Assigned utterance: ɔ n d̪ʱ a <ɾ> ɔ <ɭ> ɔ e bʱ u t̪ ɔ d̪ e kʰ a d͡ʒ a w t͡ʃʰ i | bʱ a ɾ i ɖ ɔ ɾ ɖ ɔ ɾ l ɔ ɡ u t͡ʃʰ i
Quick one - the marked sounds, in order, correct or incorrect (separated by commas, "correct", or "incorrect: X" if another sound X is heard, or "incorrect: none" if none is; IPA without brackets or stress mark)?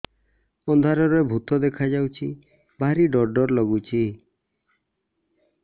correct, incorrect: ɾ